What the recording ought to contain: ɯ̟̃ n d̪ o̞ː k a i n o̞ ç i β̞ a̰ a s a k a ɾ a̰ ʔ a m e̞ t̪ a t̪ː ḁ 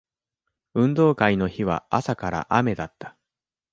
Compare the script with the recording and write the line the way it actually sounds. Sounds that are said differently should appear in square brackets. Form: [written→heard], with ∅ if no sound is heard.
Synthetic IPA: ɯ̟̃ n d̪ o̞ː k a i n o̞ ç i β̞ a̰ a s a k a ɾ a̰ ʔ a m e̞ [t̪→d̪] a t̪ː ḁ